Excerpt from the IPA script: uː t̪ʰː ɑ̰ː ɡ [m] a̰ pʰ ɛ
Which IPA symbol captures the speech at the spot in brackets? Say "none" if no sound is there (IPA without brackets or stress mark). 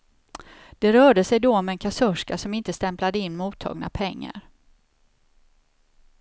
n